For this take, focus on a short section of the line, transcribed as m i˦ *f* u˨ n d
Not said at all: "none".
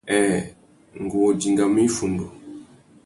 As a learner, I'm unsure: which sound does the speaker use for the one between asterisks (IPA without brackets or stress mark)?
f